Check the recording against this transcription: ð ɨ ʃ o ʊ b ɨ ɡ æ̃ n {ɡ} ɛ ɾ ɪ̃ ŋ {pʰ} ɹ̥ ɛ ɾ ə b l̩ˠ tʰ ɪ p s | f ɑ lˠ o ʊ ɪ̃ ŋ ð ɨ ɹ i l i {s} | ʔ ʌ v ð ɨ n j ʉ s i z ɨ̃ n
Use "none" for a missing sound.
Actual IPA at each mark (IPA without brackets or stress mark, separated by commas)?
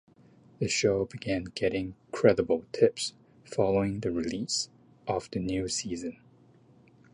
ɡ, kʰ, s